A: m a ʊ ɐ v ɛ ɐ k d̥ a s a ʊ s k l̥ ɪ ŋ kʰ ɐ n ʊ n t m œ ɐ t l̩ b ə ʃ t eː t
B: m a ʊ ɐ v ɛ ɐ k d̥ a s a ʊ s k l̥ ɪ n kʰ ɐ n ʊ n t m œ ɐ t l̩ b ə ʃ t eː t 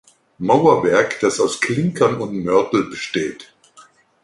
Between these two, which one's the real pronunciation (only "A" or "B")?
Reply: A